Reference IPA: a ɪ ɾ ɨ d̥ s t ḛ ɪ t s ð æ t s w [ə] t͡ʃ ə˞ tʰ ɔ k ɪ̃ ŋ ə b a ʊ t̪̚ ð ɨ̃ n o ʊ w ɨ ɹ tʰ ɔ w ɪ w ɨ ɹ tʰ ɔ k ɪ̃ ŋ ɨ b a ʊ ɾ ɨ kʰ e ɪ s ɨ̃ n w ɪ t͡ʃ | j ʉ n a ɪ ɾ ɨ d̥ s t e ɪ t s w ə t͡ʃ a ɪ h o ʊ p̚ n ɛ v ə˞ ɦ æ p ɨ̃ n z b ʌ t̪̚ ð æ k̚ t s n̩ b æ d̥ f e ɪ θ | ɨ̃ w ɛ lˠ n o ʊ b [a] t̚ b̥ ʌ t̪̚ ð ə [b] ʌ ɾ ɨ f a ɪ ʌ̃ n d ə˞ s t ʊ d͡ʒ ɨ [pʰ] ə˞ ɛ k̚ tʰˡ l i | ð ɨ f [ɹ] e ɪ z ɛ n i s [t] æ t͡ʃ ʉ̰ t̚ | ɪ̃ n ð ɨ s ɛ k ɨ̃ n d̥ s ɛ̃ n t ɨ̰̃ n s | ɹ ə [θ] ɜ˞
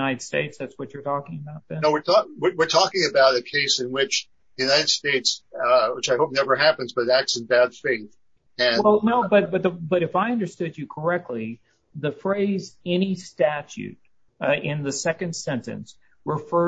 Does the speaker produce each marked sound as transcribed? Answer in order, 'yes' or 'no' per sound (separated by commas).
no, no, yes, no, yes, yes, no